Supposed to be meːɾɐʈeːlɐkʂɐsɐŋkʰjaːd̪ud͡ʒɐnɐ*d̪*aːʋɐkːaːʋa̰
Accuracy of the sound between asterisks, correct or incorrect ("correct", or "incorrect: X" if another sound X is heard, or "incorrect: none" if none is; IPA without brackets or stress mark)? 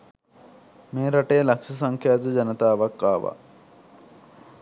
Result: incorrect: t̪